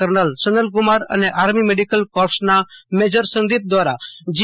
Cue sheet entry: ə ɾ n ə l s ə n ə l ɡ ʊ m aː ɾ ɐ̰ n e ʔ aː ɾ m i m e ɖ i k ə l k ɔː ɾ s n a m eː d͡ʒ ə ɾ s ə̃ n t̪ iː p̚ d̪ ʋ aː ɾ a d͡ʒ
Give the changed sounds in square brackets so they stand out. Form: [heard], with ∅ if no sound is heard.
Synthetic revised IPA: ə ɾ n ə l s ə n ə l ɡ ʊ m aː ɾ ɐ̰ n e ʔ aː ɾ m i m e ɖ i k ə l k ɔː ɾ s n a m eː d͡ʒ ə ɾ s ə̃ n [d̪] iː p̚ d̪ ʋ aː ɾ a d͡ʒ